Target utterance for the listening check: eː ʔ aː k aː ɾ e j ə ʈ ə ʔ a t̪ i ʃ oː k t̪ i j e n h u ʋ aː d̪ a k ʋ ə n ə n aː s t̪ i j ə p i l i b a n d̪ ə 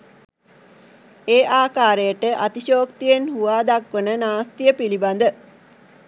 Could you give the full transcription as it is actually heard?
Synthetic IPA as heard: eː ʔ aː k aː ɾ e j ə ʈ ə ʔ a t̪ i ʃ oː k t̪ i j e n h u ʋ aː d̪ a k ʋ ə n ə n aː s t̪ i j ə p i l i b a n d̪ ə